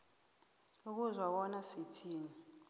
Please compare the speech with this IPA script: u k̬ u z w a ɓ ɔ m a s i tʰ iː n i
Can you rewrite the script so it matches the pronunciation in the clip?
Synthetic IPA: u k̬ u z w a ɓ ɔ n a s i tʰ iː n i